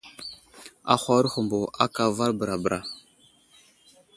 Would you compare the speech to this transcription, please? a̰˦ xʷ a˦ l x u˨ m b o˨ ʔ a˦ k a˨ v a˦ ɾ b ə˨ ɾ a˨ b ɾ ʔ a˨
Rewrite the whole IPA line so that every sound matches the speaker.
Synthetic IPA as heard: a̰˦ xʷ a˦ ɾ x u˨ m b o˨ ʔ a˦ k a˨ v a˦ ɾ b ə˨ ɾ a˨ b ɾ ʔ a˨